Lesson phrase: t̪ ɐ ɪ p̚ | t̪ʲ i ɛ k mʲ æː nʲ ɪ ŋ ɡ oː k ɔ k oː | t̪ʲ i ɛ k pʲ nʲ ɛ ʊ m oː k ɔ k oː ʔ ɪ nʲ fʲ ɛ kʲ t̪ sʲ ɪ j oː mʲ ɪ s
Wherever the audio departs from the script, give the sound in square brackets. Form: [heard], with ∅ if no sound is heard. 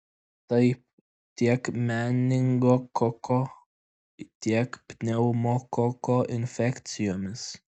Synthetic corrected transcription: t̪ ɐ ɪ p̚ | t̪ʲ i ɛ k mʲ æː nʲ ɪ ŋ ɡ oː k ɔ k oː | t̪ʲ i ɛ k pʲ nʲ ɛ ʊ m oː k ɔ k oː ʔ ɪ nʲ fʲ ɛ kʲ t̪ sʲ ɪ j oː mʲ ɪ s